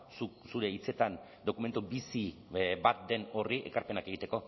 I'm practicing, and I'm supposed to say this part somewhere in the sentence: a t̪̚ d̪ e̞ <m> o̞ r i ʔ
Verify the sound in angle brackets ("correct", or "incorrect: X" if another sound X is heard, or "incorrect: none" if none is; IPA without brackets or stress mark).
incorrect: n